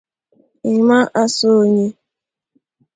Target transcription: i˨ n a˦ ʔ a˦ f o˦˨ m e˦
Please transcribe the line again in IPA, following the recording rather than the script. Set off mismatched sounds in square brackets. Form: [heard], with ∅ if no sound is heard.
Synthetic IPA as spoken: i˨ [m] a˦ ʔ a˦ [s] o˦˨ [ɲ] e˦